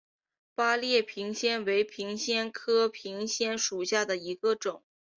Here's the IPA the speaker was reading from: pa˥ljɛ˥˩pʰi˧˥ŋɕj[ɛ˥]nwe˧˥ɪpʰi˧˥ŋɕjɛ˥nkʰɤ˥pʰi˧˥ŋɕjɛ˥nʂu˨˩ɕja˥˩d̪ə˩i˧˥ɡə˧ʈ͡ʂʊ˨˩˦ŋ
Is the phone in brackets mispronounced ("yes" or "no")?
no